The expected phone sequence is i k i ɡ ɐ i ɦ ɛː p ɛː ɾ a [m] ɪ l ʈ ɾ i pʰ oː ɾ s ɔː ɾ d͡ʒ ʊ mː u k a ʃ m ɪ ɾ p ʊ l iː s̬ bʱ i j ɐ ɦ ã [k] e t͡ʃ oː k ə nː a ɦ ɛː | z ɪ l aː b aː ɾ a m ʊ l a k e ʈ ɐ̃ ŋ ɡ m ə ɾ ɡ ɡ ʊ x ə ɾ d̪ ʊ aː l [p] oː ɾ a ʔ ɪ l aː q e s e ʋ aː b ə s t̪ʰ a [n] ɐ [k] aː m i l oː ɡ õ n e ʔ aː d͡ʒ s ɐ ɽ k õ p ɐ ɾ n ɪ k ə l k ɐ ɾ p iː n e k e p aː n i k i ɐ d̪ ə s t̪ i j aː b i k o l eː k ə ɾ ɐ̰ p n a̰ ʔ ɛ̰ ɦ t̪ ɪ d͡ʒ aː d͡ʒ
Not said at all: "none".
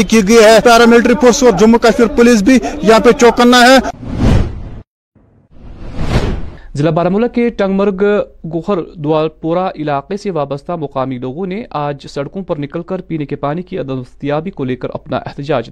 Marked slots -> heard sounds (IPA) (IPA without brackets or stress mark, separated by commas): m, p, p, m, q